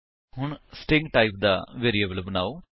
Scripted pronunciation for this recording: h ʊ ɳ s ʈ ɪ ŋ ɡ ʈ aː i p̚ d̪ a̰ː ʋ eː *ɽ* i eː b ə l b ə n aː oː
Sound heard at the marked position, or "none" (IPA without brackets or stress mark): ɾ